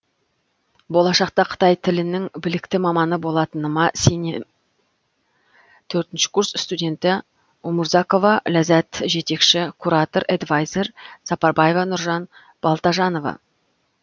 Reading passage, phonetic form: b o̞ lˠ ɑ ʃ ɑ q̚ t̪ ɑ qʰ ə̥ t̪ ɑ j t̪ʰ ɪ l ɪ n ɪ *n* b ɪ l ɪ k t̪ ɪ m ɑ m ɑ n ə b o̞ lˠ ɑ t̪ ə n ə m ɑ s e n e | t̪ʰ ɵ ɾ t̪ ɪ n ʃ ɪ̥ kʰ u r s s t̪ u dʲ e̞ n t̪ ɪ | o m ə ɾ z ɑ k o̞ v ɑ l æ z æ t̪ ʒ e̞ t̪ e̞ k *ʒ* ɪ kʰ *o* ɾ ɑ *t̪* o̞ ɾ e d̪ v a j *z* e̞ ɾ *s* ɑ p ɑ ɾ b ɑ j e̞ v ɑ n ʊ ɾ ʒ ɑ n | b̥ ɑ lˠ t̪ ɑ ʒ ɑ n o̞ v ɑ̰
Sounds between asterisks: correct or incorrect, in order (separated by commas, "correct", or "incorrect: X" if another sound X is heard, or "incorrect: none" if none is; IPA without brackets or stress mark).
incorrect: ŋ, incorrect: ʃ, incorrect: u, correct, correct, correct